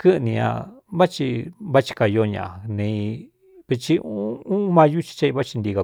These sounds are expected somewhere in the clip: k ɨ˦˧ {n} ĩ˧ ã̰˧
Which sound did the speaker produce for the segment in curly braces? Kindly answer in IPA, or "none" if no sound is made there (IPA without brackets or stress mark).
n